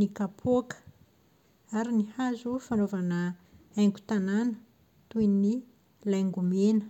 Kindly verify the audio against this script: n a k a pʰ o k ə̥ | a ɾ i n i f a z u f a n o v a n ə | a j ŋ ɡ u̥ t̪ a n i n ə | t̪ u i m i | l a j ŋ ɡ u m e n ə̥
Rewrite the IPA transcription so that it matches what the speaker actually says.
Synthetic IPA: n i k a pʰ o k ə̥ | a ɾ i n i h a z u f a n o v a n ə | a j ŋ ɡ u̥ t̪ a n a n ə | t̪ u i n i | l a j ŋ ɡ u m e n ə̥